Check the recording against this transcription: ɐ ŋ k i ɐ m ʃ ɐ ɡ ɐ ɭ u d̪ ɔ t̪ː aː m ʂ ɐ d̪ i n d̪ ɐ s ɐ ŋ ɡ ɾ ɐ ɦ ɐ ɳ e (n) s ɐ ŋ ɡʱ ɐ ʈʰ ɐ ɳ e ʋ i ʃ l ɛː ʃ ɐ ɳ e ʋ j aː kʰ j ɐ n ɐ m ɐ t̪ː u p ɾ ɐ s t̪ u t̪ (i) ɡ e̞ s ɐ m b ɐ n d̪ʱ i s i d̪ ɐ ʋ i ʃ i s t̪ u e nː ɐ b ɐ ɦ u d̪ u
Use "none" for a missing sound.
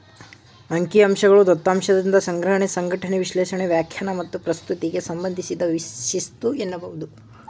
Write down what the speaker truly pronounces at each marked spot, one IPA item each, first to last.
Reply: none, i

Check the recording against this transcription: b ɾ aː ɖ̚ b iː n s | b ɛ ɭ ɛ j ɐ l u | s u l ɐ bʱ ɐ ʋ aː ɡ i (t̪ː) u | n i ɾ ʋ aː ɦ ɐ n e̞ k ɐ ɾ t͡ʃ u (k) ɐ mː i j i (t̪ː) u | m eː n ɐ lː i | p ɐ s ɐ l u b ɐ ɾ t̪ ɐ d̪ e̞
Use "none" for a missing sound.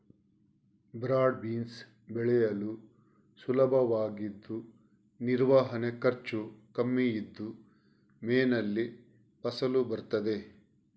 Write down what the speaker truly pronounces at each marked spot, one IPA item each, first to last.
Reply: d̪ː, k, d̪ː

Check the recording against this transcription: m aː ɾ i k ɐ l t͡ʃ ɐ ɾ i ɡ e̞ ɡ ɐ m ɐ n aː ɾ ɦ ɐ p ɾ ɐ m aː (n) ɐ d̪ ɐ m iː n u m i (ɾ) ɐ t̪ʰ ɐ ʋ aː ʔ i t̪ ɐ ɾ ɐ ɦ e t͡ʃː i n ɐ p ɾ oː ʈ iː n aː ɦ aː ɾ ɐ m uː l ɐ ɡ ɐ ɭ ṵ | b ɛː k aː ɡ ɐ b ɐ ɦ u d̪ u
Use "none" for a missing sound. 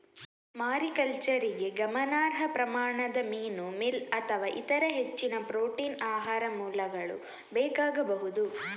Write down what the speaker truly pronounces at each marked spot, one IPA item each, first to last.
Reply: ɳ, l

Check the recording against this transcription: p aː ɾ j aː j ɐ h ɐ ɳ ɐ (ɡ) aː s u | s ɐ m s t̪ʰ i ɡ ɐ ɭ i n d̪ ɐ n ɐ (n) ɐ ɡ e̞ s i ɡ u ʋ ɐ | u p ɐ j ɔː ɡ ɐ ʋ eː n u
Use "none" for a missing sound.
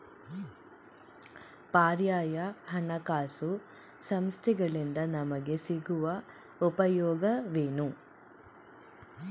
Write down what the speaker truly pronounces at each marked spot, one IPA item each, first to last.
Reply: k, m

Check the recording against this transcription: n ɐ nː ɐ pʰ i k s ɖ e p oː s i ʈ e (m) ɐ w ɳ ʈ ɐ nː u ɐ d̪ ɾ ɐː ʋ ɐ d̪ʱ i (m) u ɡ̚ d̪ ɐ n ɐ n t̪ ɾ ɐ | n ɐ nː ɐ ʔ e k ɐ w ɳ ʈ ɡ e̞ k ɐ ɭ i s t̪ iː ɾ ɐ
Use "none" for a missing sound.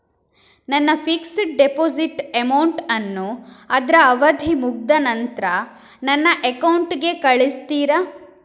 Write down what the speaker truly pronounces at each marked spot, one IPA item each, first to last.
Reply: m, m

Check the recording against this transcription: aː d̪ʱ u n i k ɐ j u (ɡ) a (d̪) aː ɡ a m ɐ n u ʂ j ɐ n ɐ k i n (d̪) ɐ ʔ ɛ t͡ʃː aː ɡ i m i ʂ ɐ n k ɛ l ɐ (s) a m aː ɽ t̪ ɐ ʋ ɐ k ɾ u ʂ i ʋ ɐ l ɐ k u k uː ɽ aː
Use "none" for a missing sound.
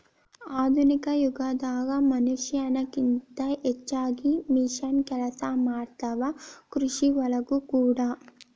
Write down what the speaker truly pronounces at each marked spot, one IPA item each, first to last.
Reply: ɡ, d̪, t̪, s

